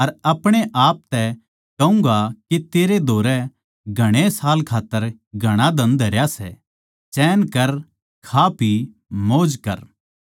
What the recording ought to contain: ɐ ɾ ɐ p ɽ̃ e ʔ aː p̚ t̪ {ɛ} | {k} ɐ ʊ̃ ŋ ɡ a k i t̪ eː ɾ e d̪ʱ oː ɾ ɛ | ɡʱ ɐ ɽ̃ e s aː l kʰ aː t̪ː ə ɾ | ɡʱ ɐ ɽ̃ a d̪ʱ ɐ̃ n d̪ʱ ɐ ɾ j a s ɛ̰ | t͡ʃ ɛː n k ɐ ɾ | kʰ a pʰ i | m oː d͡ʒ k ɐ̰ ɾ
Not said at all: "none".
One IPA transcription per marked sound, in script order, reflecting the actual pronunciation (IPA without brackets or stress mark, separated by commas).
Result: ɛ, k